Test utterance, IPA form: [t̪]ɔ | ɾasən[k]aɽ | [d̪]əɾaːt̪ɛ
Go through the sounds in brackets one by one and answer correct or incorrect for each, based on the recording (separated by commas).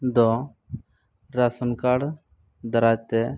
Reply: incorrect, correct, correct